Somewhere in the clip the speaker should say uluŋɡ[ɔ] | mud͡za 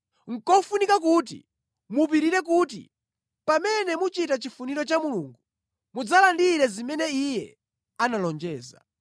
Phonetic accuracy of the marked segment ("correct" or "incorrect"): incorrect